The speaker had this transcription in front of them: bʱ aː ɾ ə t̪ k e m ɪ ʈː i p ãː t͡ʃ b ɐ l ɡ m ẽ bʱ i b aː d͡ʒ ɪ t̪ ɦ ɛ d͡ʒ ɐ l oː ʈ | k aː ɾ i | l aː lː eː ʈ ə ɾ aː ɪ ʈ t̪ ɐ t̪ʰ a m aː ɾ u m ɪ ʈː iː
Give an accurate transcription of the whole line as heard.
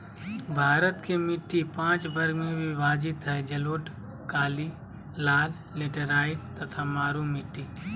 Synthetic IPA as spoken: bʱ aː ɾ ə t̪ k e m ɪ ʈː i p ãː t͡ʃ b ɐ ɾ ɡ m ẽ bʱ i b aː d͡ʒ ɪ t̪ ɦ ɛ d͡ʒ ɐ l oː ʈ | k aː l i | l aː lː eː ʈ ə ɾ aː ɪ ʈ t̪ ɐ t̪ʰ a m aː ɾ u m ɪ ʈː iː